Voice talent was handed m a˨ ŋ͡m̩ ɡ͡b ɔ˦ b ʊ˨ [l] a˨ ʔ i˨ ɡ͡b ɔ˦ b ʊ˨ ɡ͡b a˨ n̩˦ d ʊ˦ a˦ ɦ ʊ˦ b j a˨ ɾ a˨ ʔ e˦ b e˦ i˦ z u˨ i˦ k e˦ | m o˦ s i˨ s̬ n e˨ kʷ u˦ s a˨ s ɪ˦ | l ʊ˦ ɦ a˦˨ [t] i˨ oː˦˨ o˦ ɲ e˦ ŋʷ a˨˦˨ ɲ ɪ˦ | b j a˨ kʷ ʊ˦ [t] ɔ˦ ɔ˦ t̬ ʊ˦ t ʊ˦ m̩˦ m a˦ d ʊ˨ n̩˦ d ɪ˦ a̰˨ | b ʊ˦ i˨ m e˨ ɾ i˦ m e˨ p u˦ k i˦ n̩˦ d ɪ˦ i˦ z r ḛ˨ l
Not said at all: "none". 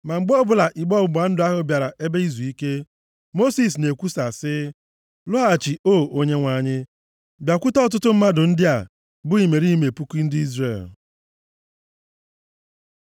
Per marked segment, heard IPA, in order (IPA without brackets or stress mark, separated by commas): l, t͡ʃ, t